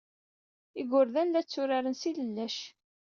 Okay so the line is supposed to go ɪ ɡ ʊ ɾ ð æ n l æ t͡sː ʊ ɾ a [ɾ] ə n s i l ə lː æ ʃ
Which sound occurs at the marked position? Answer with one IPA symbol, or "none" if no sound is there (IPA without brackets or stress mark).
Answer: ɾ